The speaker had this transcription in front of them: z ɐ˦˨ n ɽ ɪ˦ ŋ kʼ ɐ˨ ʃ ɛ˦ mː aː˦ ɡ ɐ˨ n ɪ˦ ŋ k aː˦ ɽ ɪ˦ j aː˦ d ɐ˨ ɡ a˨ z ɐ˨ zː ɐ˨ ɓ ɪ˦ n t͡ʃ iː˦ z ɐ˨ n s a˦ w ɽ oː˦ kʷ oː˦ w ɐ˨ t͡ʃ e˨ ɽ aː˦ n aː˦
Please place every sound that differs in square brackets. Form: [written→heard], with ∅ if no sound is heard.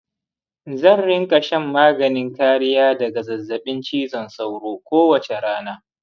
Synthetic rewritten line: z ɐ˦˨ n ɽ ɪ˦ ŋ kʼ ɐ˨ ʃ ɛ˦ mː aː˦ ɡ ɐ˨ n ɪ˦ ŋ k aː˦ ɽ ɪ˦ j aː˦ d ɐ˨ ɡ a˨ z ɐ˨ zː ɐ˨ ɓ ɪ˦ n t͡ʃ iː˦ z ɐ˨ n s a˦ w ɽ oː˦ kʷ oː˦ w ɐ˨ t͡ʃ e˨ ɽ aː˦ n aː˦